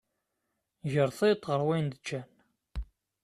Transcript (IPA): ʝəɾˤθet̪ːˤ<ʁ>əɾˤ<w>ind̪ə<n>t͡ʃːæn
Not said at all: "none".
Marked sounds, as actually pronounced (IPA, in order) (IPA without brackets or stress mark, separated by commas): ʁ, w, none